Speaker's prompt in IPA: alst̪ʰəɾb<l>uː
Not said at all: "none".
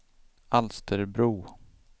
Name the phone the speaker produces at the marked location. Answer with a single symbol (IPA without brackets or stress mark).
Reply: ɾ